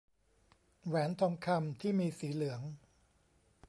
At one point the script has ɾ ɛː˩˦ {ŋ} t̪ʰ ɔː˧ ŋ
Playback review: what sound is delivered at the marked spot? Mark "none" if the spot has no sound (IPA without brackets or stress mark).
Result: n